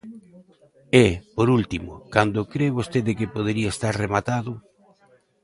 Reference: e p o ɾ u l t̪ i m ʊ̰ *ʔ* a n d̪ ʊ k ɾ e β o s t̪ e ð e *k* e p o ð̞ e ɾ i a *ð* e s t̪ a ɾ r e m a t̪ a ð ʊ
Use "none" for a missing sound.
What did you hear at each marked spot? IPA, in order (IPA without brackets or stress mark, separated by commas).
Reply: k, k, none